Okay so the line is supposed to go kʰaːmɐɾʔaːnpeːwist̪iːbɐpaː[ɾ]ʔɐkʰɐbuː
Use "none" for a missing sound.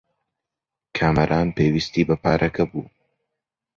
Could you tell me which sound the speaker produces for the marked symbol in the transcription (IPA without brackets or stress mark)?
ɾ